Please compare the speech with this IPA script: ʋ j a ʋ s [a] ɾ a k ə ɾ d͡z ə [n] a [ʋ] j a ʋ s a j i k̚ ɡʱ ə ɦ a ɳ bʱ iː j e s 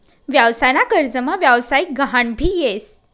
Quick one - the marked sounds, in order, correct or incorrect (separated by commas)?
correct, incorrect, correct